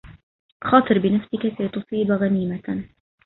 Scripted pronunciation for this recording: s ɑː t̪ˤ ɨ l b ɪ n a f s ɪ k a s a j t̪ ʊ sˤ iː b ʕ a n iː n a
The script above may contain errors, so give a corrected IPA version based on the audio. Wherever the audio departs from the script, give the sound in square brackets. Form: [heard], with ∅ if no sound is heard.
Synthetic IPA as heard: [x] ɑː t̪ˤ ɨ [ɾ] b ɪ n a f s ɪ k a s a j t̪ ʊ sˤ iː b [ɣ] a n iː [m] a